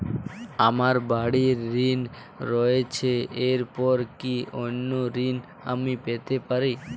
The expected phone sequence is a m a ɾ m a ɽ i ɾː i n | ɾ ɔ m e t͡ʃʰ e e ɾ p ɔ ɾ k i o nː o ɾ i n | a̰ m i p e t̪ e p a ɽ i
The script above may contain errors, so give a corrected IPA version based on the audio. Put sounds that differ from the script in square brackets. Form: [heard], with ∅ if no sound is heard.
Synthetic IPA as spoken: a m a ɾ [b] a ɽ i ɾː i n | ɾ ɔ [∅] e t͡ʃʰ e e ɾ p ɔ ɾ k i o nː o ɾ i n | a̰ m i p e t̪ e p a [ɾ] i